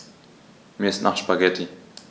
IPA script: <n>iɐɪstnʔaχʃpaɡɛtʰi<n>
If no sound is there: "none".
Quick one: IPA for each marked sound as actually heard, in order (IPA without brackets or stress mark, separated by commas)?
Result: m, none